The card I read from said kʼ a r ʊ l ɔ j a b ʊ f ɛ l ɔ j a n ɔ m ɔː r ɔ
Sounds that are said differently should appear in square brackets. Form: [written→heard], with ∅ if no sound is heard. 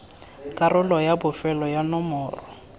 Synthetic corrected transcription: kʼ a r ʊ l ɔ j a b ʊ f ɛ l ɔ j a n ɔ m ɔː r ɔ